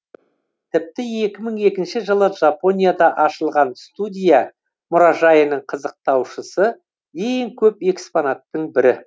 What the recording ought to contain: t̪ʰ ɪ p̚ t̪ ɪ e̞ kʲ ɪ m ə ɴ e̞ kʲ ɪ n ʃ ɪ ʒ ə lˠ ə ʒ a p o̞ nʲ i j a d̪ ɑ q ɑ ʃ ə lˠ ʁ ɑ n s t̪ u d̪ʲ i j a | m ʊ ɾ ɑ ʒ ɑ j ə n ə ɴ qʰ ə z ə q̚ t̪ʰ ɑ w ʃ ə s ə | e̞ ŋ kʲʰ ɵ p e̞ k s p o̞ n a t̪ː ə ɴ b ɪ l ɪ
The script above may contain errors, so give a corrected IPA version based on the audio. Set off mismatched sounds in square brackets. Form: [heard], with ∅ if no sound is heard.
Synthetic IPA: t̪ʰ ɪ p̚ t̪ ɪ e̞ kʲ ɪ m ə ɴ e̞ kʲ ɪ n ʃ ɪ ʒ ə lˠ ə ʒ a p o̞ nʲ i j a d̪ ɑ [ʔ] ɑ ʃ ə lˠ ʁ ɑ n s t̪ u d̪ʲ i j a | m ʊ ɾ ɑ ʒ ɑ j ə n ə ɴ qʰ ə z ə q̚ [t̪] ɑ w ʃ ə s ə | e̞ ŋ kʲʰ ɵ p e̞ k s p o̞ n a t̪ː ə ɴ b ɪ [ɾ] ɪ